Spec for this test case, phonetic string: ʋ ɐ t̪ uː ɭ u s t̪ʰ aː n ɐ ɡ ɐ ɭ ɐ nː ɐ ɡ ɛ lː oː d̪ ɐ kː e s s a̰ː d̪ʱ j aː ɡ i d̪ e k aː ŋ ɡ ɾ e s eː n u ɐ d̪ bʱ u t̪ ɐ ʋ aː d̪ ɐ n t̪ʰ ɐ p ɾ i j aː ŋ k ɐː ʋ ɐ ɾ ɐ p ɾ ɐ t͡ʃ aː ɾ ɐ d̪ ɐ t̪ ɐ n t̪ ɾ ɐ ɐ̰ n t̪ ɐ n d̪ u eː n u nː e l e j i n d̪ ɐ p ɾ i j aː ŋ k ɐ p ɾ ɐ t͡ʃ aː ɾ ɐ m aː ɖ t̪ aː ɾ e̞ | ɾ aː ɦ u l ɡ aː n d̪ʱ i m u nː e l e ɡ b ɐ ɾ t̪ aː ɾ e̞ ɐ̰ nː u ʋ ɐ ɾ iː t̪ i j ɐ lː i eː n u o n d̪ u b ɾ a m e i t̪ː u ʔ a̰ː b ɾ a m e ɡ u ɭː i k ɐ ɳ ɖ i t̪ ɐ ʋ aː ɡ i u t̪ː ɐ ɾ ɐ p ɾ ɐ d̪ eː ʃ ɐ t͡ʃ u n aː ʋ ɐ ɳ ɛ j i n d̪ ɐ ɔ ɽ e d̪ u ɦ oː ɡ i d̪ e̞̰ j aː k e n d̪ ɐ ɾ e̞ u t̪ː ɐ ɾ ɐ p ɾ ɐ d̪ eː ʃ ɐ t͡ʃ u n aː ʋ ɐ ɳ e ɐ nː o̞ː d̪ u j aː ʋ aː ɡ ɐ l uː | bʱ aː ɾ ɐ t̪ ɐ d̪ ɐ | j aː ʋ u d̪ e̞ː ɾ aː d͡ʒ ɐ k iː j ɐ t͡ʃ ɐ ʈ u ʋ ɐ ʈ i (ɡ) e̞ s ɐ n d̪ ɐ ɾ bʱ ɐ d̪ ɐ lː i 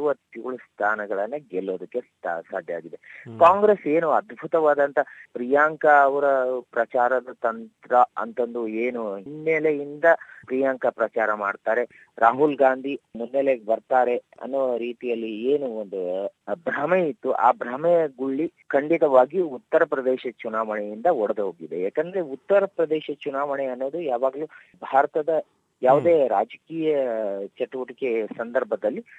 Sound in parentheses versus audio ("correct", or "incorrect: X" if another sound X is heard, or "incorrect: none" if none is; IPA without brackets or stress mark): incorrect: k